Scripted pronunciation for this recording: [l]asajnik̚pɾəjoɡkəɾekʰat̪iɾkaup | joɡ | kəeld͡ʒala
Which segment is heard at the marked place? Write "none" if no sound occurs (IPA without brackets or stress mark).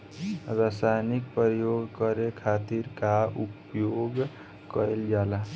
ɾ